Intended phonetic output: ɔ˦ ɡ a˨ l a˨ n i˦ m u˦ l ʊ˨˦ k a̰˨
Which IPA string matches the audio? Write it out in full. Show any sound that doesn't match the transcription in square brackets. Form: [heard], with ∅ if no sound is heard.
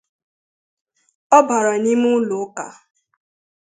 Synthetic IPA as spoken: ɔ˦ [b] a˨ [ɾ] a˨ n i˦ m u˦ l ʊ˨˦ k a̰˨

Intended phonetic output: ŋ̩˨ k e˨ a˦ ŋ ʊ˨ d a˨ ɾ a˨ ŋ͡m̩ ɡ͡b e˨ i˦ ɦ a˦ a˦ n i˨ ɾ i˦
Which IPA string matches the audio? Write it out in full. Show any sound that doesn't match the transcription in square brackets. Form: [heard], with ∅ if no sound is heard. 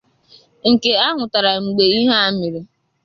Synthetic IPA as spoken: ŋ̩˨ k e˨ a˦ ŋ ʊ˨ [t] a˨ ɾ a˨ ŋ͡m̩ ɡ͡b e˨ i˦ ɦ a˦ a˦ [m] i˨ ɾ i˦

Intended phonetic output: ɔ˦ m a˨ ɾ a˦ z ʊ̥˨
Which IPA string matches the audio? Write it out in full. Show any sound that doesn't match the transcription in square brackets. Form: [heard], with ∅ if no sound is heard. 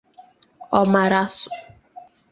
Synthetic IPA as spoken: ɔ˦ m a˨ ɾ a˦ [s] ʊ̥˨

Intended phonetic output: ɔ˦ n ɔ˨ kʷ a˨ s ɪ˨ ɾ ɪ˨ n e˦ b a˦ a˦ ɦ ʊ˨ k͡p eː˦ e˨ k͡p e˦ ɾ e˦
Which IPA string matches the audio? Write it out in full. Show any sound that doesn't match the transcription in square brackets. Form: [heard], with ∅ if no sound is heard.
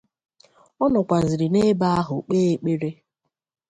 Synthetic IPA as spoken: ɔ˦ n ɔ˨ kʷ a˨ [z] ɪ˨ ɾ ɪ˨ n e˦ b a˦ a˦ ɦ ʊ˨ k͡p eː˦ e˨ k͡p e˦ ɾ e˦

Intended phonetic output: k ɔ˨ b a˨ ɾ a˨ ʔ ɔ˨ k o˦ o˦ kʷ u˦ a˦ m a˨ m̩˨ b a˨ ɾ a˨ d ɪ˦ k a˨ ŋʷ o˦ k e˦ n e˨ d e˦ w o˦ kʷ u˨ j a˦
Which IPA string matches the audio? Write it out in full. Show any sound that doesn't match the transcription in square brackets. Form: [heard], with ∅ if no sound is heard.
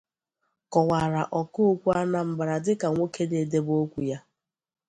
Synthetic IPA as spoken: k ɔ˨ [w] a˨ ɾ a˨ ʔ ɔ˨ k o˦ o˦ kʷ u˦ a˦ [n] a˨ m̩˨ b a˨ ɾ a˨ d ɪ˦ k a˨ ŋʷ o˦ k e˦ n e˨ d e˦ [b] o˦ kʷ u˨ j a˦

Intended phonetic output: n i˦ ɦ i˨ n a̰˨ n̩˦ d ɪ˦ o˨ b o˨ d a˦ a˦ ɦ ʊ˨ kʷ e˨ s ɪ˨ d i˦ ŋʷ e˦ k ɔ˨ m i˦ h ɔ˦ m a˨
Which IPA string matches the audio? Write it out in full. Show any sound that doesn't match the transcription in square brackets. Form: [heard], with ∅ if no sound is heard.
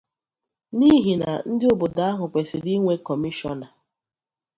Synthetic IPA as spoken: n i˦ ɦ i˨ n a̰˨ n̩˦ d ɪ˦ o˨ b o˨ d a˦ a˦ ɦ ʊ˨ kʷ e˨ s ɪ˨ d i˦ ŋʷ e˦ k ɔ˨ m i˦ [ʃ] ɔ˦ [n] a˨

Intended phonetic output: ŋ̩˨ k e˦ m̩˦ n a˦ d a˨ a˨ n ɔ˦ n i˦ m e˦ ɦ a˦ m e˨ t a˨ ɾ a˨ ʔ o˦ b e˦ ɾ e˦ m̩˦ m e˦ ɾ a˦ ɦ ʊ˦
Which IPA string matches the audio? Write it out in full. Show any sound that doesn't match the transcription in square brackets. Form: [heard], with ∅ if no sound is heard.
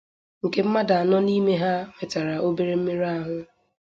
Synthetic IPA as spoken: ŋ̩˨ k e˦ m̩˦ [m] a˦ d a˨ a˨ n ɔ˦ n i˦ m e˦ ɦ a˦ m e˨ t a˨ ɾ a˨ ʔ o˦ b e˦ ɾ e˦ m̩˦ m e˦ ɾ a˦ ɦ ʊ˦

